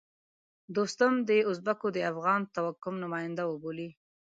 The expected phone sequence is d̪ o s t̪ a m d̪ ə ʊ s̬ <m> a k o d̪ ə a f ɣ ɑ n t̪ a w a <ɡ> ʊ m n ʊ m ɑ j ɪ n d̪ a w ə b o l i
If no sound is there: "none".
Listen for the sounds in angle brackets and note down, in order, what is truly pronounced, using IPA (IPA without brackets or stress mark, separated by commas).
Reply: b, k